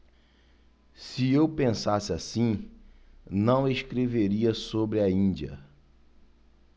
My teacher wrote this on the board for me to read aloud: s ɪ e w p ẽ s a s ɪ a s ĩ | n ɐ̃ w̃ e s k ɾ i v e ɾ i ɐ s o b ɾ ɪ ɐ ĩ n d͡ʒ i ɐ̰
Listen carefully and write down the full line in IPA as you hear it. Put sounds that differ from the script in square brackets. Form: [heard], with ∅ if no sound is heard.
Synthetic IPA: s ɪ e w p ẽ s a s ɪ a s ĩ | n ɐ̃ w̃ e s k ɾ [e] v e ɾ i ɐ s o b ɾ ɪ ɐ ĩ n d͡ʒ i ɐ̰